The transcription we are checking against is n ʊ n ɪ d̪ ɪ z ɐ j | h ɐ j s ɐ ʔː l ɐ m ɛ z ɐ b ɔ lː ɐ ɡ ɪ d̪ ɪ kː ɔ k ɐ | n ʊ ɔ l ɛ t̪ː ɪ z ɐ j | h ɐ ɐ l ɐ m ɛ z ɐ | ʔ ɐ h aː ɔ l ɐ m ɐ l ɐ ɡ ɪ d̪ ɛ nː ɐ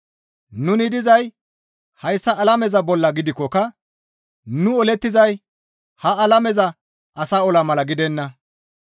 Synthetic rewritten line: n ʊ n ɪ d̪ ɪ z ɐ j | h ɐ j sː ɐ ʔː l ɐ m ɛ z ɐ b ɔ lː ɐ ɡ ɪ d̪ ɪ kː ɔ k ɐ | n ʊ ɔ l ɛ t̪ː ɪ z ɐ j | h ɐ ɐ l ɐ m ɛ z ɐ | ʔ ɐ s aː ɔ l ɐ m ɐ l ɐ ɡ ɪ d̪ ɛ nː ɐ